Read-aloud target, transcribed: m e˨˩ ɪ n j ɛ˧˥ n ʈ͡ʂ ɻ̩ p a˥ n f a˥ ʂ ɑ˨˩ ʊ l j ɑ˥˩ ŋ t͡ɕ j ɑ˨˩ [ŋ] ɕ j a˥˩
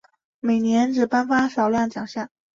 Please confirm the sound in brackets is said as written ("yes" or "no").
yes